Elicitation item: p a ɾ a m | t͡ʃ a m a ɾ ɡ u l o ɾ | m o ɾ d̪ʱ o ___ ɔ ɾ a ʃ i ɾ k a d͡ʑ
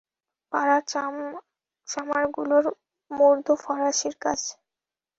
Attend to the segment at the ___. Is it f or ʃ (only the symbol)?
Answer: f